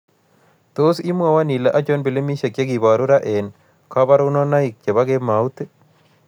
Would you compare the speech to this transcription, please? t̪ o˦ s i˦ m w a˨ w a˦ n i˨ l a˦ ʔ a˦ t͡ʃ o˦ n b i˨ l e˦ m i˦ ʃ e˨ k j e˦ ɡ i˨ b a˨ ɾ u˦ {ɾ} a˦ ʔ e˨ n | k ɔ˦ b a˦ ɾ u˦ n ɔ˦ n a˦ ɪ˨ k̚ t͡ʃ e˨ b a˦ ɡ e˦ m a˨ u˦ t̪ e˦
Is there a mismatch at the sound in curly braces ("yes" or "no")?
no